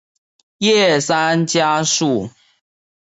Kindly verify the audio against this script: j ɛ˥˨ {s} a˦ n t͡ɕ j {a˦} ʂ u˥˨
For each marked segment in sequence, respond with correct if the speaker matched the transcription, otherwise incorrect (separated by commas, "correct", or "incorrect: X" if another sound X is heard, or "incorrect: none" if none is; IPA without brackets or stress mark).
correct, correct